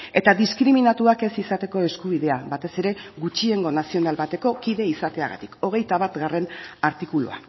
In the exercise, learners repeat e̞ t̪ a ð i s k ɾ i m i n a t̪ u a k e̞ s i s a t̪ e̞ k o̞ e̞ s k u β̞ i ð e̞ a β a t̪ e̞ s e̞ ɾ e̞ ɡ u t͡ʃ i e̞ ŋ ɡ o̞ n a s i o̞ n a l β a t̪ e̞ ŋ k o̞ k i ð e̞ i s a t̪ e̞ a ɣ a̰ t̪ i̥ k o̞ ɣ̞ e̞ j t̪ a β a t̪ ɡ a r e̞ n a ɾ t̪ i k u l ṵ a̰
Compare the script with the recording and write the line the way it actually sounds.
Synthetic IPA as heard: e̞ t̪ a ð i s k ɾ i m i n a t̪ u a k e̞ s i s a t̪ e̞ k o̞ e̞ s k u β̞ i ð e̞ a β a t̪ e̞ s e̞ ɾ e̞ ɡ u t͡ʃ i e̞ ŋ ɡ o̞ n a s i o̞ n a l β a t̪ e̞ k o̞ k i ð e̞ i s a t̪ e̞ a ɣ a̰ t̪ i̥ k o̞ ɣ̞ e̞ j t̪ a β a t̪ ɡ a r e̞ n a ɾ t̪ i k u l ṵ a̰